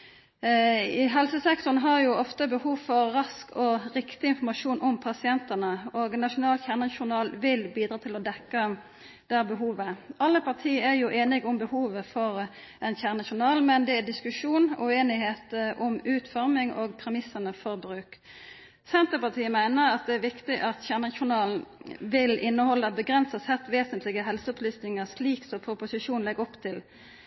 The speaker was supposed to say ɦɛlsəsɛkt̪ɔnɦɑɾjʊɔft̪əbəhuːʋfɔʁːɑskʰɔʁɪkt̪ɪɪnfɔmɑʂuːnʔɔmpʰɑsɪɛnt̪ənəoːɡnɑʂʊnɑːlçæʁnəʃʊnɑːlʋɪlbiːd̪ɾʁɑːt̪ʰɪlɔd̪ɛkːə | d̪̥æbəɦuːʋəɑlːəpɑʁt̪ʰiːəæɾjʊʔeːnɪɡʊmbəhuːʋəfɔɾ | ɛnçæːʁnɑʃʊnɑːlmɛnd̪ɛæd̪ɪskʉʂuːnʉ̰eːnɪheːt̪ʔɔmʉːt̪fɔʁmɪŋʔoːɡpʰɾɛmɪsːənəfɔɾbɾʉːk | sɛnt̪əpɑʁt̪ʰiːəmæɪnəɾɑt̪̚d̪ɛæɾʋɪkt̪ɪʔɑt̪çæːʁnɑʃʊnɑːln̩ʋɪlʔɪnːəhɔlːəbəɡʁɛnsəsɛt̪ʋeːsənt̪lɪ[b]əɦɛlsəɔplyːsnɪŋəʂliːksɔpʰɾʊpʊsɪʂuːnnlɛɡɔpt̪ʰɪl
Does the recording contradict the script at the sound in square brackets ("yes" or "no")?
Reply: yes